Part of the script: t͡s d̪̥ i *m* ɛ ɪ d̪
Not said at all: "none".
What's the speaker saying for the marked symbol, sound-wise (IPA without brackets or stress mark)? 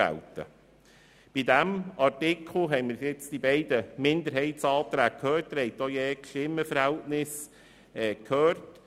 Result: b